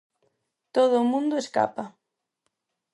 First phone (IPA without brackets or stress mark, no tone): t̪